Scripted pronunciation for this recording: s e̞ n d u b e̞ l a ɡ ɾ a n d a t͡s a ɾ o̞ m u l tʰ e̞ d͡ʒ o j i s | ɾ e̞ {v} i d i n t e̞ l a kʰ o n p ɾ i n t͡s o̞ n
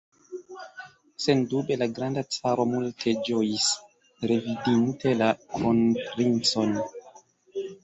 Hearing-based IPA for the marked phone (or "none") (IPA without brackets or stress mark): v